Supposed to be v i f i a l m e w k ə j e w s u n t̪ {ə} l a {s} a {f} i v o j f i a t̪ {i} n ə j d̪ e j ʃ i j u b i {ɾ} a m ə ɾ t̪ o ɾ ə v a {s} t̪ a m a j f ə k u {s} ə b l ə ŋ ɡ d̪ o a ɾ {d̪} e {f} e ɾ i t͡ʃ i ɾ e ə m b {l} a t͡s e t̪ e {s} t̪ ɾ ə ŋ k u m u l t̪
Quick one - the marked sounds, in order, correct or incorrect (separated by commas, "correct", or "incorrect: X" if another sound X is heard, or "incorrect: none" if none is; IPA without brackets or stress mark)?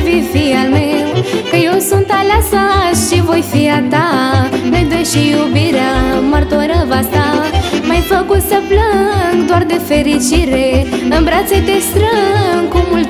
incorrect: a, correct, incorrect: ʃ, incorrect: a, correct, correct, correct, correct, correct, incorrect: ɾ, correct